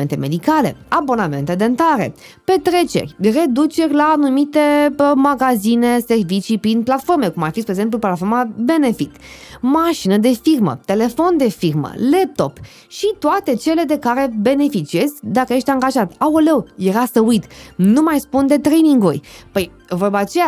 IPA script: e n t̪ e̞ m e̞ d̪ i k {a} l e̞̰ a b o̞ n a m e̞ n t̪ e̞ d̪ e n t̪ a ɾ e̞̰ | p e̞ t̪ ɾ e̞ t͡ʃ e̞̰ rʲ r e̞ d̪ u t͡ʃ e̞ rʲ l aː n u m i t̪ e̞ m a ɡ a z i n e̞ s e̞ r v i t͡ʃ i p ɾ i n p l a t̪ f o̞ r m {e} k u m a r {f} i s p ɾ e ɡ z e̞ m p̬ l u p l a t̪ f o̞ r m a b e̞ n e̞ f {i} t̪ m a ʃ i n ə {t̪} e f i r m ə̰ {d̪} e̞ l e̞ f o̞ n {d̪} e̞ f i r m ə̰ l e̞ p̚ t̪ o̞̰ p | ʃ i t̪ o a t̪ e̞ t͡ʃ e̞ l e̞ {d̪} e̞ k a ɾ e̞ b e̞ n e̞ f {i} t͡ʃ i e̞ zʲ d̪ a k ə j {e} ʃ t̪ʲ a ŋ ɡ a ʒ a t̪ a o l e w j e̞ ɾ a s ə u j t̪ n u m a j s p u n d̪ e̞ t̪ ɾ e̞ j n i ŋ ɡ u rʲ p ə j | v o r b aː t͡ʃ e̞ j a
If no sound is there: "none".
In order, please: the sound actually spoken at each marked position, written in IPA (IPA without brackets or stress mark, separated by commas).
a, e, f, i, d̪, t̪, d̪, d̪, i, e